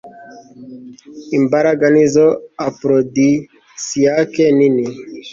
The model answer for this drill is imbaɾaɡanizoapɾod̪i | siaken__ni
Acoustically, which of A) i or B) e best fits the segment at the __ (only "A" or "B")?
A